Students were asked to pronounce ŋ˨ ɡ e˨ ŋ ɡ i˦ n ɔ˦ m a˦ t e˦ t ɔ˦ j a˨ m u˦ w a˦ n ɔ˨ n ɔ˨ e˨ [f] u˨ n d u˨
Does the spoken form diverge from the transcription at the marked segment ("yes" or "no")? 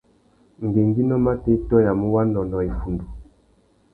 no